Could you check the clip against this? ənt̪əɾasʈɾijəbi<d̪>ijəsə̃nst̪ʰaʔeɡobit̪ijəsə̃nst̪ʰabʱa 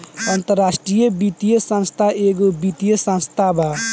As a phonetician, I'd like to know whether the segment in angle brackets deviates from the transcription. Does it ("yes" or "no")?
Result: yes